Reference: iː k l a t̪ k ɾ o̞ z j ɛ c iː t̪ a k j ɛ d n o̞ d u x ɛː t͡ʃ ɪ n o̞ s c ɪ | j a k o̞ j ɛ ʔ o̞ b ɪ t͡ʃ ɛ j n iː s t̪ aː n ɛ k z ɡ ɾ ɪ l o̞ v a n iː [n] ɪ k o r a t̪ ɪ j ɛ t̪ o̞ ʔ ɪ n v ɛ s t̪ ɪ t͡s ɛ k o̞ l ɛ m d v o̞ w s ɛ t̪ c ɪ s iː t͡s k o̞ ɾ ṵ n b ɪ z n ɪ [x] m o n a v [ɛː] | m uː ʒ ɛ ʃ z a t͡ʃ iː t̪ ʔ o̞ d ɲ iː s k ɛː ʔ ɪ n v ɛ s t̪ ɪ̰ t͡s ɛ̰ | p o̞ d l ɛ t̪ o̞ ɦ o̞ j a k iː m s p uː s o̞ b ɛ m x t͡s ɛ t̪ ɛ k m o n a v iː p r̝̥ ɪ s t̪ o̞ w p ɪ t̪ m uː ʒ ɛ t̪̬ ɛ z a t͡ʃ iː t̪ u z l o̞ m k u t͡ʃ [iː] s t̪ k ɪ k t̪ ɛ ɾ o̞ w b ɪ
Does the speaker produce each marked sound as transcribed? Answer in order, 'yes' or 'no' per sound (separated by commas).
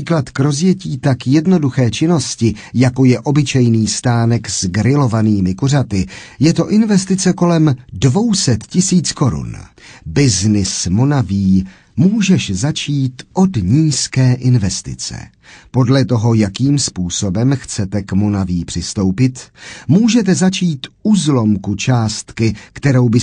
no, no, no, no